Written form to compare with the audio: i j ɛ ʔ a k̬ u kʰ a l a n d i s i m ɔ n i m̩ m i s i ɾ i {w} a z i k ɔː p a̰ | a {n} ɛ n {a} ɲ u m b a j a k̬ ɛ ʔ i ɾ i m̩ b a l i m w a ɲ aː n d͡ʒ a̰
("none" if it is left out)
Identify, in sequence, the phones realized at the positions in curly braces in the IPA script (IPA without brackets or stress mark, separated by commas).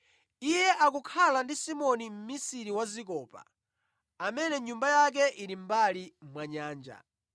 w, m, ɛ